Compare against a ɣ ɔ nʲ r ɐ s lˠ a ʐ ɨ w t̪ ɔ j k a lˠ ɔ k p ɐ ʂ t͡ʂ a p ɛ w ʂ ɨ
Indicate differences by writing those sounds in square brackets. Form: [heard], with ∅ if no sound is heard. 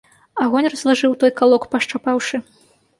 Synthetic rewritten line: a ɣ ɔ nʲ r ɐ [z] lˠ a ʐ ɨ w t̪ ɔ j k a lˠ ɔ k p ɐ ʂ t͡ʂ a p [a] w ʂ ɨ